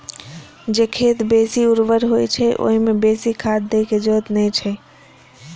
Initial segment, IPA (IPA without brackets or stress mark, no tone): d͡ʒ